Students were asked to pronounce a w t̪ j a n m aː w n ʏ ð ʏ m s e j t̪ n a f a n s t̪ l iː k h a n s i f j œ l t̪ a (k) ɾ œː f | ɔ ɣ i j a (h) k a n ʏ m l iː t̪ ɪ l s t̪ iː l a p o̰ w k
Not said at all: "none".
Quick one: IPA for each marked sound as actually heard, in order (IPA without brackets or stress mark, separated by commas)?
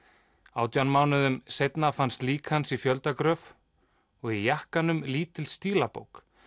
k, h